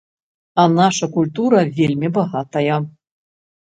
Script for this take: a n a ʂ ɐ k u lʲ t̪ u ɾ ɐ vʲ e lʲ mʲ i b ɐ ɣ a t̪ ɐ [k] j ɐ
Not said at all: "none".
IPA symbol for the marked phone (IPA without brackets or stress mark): none